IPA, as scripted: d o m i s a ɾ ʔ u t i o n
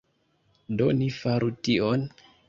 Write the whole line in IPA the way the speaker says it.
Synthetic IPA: d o n i f a ɾ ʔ u t i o n